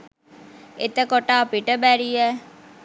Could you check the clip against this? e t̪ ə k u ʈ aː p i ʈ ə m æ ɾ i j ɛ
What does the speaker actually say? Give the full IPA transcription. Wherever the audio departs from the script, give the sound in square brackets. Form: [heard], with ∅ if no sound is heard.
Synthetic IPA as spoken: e t̪ ə k [o] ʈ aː p i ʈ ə [b] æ ɾ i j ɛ